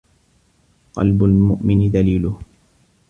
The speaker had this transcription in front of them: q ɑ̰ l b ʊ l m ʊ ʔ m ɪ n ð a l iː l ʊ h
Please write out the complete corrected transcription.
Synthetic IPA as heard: q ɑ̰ l b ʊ l m ʊ ʔ m ɪ n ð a l iː l ʊ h